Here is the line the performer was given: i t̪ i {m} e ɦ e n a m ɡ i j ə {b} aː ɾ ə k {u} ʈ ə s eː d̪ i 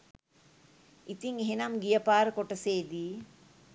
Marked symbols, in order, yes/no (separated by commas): no, no, no